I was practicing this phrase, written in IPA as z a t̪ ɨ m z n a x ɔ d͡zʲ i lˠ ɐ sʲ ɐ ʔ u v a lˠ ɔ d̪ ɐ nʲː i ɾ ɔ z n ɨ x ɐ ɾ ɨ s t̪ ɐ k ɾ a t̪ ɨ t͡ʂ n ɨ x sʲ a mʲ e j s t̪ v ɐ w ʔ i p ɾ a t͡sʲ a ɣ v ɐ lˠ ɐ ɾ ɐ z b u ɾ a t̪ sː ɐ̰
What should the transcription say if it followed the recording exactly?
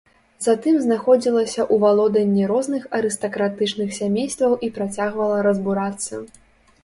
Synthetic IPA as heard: z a t̪ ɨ m z n a x ɔ d͡zʲ i lˠ ɐ sʲ ɐ ʔ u v a lˠ ɔ d̪ ɐ nʲː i ɾ ɔ z n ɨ x ɐ ɾ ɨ s t̪ ɐ k ɾ a t̪ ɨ t͡ʂ n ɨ x sʲ a mʲ e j s t̪ v ɐ w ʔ i p ɾ a t͡sʲ a ɣ v ɐ lˠ ɐ ɾ ɐ z b u ɾ a t̪ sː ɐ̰